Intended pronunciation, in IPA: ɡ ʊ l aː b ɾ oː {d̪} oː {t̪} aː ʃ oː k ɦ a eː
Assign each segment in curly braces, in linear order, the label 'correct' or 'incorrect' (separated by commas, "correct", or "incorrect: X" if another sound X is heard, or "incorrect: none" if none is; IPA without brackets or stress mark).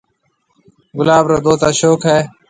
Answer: correct, correct